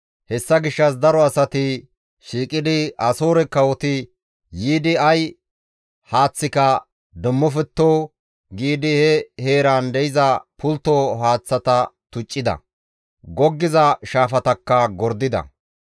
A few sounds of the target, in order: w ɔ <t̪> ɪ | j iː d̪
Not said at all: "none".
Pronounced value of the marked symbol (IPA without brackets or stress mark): t̪